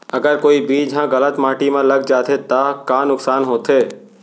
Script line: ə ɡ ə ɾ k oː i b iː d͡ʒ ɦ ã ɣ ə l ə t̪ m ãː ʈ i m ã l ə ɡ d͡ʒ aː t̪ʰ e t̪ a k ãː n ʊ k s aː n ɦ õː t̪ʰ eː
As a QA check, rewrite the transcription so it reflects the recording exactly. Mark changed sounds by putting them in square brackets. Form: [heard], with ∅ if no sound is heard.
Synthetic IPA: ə ɡ ə ɾ k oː i b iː d͡ʒ ɦ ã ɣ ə l ə t̪ m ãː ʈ i m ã l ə ɡ d͡ʒ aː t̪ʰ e t̪ a k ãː n ʊ k s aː n ɦ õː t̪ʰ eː